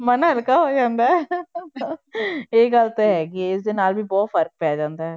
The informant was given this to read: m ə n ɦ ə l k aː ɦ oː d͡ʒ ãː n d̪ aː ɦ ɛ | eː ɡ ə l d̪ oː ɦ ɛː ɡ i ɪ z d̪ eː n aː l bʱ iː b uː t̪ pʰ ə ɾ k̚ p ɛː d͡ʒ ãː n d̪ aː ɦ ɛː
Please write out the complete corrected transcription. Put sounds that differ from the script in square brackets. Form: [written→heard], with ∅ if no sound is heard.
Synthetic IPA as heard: m ə n ɦ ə l k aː ɦ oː d͡ʒ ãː n d̪ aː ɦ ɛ | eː ɡ ə l [d̪→t̪] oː ɦ ɛː ɡ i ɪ [z→s] d̪ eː n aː l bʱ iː b [uː→ɔː] t̪ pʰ ə ɾ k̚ p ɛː d͡ʒ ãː n d̪ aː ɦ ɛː